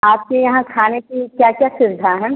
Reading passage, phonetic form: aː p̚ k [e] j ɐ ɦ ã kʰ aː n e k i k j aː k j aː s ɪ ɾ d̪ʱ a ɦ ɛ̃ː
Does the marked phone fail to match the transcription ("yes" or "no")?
no